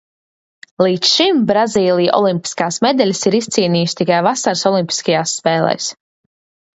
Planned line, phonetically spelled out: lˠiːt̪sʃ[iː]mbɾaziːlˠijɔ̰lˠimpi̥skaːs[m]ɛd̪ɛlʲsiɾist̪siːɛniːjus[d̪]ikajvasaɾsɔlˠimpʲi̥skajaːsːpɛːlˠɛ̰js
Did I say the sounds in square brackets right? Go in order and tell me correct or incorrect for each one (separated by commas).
incorrect, correct, incorrect